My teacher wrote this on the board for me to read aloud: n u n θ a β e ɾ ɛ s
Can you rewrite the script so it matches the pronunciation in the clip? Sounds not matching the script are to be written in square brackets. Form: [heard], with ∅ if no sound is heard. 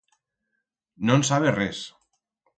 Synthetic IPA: n [o] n [s] a β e [r] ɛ s